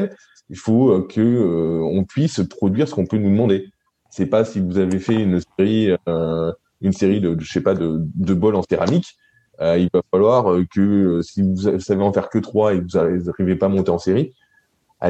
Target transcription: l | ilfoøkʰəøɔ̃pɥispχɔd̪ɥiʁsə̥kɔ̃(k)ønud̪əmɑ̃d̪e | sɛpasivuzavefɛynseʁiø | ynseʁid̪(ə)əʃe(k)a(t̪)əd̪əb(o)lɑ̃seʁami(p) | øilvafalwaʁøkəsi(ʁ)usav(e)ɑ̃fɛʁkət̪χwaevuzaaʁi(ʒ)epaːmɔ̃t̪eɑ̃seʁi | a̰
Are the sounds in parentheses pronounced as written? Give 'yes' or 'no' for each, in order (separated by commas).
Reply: no, yes, no, no, no, no, no, yes, no